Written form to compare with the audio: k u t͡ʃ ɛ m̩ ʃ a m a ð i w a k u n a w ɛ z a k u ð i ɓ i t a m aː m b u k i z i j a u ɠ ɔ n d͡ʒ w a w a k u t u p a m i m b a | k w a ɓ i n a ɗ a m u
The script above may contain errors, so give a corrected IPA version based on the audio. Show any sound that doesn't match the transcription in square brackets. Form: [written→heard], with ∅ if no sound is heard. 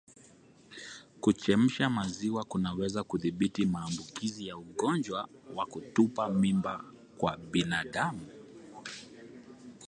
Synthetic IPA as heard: k u t͡ʃ ɛ m̩ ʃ a m a [ð→z] i w a k u n a w ɛ z a k u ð i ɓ i t [a→i] m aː m b u k i z i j a u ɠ ɔ n d͡ʒ w a w a k u t u p a m i m b a | k w a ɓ i n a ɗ a m u